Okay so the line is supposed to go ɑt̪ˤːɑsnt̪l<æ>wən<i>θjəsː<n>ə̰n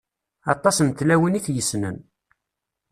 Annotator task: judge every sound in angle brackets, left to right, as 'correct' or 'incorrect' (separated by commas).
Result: correct, correct, correct